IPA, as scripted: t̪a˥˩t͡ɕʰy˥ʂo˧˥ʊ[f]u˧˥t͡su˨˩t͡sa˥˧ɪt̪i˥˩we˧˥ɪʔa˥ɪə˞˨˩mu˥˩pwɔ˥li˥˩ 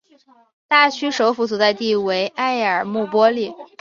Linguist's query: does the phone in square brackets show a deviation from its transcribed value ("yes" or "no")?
no